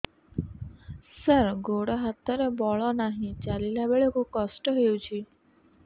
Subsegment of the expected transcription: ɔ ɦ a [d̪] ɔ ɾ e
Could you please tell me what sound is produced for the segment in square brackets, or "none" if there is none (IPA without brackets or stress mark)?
t̪